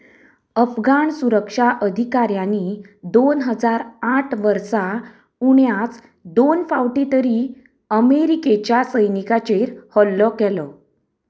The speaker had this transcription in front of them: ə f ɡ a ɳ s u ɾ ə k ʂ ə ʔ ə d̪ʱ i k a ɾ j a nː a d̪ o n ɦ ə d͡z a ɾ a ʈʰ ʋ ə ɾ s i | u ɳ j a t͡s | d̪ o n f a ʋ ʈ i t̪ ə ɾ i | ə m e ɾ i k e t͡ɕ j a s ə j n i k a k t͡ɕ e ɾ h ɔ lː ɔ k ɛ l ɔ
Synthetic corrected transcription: ə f ɡ a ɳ s u ɾ ə k ʂ a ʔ ə d̪ʱ i k a ɾ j a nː i d̪ o n ɦ ə d͡z a ɾ a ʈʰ ʋ ə ɾ s a | u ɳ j a t͡s | d̪ o n f a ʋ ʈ i t̪ ə ɾ i | ə m e ɾ i k e t͡ɕ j a s ə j n i k a t͡ɕ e ɾ h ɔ lː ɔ k ɛ l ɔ